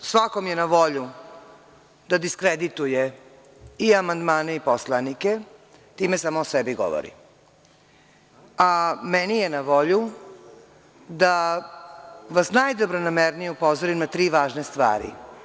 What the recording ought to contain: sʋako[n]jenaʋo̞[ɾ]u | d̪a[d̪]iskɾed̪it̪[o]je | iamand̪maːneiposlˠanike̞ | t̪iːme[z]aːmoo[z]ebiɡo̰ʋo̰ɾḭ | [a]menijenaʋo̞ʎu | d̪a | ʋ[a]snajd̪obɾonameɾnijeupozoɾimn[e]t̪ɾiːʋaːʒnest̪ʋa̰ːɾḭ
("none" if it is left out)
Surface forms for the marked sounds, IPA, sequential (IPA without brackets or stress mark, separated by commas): m, ʎ, d̪, u, s, s, a, a, a